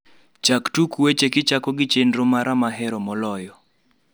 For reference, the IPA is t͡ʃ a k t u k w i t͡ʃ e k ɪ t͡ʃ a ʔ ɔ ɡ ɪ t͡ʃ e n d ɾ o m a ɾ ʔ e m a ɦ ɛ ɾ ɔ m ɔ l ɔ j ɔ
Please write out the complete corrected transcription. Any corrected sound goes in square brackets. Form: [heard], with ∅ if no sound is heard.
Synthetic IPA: t͡ʃ a k t u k w [e] t͡ʃ e k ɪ t͡ʃ a [k] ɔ ɡ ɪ t͡ʃ e n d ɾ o m a ɾ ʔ [a] m a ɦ ɛ ɾ ɔ m ɔ l ɔ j ɔ